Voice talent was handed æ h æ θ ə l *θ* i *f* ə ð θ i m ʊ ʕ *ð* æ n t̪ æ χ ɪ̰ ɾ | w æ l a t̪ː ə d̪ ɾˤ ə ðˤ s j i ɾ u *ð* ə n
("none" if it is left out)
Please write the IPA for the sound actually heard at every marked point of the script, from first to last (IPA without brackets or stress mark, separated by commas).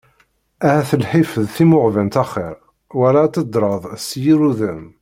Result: ħ, f, v, ð